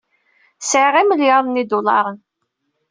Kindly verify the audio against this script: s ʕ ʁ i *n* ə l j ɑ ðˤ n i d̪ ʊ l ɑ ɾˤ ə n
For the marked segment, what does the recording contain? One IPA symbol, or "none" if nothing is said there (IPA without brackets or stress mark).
m